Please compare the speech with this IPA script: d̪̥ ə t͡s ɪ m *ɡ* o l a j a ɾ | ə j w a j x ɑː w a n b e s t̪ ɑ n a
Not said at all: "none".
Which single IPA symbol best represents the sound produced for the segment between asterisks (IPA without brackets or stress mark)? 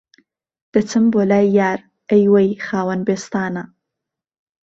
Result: b